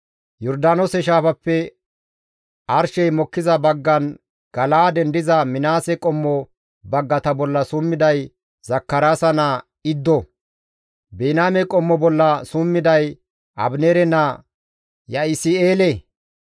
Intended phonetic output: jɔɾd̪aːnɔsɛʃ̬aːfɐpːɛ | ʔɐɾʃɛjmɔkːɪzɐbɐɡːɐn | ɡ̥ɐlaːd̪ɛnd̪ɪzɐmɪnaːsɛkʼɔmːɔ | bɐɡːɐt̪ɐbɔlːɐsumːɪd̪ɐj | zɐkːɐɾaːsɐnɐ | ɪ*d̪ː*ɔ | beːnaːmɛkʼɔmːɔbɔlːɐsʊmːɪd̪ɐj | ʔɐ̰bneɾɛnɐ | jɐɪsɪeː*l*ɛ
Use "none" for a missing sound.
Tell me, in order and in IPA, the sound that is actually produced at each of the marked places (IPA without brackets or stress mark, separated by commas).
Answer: d̪ː, l